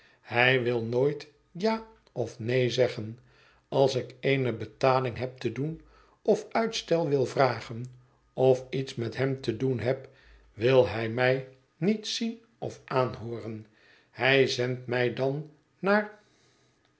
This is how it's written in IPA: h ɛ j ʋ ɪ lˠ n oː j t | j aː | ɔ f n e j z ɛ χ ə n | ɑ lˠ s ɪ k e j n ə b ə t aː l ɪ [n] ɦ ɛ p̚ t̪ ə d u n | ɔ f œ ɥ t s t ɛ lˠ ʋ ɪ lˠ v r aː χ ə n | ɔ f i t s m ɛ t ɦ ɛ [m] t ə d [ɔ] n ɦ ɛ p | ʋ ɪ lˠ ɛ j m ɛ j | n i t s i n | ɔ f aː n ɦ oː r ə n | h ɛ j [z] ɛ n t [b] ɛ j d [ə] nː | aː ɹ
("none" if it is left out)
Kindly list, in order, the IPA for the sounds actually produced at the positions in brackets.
ŋ, m, u, z, m, ɑ

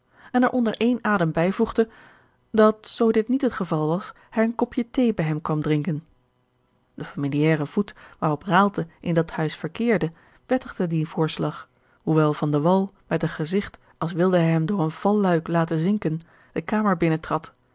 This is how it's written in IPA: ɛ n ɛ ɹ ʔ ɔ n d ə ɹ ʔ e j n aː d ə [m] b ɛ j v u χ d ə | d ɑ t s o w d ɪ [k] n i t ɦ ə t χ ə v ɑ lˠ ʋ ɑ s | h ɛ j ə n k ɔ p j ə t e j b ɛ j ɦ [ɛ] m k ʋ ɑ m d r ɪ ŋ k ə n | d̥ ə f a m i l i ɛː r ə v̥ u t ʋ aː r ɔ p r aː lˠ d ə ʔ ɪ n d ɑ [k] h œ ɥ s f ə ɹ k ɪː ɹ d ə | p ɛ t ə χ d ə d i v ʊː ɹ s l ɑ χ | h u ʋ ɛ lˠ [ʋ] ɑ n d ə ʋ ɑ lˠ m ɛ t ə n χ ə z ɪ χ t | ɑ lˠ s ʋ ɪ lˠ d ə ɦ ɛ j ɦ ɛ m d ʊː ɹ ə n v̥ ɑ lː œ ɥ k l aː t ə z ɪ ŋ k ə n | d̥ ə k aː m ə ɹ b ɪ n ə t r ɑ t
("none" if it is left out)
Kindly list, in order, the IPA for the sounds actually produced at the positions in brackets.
m, t, ɛ, t, v

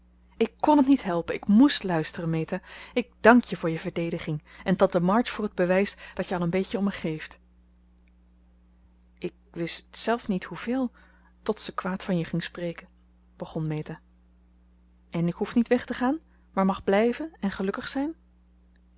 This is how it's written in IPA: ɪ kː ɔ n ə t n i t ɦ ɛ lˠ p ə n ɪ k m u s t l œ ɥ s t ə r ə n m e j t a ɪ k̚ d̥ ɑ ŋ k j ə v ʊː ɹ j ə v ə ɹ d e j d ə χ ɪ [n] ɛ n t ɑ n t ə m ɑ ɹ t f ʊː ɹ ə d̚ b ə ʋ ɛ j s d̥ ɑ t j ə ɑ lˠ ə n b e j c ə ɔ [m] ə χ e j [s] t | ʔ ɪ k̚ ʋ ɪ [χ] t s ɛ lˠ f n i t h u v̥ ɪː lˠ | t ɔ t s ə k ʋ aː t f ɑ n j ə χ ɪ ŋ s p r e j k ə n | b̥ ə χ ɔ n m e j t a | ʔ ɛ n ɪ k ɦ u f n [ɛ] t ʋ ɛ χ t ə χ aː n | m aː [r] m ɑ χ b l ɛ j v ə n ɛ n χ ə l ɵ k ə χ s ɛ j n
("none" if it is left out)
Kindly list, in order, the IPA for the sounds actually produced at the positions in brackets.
ŋ, m, f, s, i, ɹ

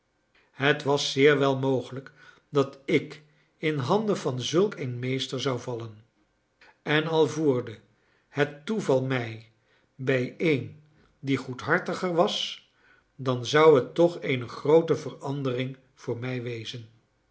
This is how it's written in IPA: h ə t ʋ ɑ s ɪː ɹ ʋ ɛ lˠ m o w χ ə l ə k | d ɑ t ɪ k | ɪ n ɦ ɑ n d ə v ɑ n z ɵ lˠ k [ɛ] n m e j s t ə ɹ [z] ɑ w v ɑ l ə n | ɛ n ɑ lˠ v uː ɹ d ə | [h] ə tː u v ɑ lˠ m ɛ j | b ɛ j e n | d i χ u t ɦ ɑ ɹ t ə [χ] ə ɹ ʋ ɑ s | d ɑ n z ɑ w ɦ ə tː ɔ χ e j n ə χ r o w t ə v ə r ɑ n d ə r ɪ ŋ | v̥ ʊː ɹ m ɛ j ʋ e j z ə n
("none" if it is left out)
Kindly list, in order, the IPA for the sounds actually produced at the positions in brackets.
e, z, h, χ

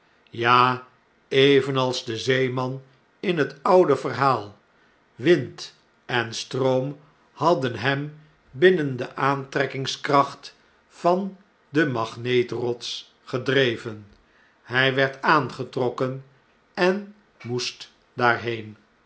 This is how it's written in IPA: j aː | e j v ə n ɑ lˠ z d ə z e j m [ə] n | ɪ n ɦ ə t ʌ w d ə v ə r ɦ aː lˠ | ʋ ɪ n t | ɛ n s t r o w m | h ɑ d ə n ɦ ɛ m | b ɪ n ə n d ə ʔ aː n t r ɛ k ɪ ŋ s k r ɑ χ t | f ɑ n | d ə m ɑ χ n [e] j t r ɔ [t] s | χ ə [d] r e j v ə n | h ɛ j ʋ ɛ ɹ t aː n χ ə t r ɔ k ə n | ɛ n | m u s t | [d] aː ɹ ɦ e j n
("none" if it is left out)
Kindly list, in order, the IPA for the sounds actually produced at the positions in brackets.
ɑ, e, t, d, d

